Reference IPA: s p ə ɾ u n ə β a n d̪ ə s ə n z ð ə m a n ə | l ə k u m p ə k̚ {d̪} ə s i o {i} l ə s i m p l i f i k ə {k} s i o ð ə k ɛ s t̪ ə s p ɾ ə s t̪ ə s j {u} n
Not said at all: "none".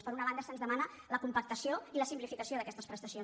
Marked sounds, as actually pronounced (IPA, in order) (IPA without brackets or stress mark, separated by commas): t̪, i, none, o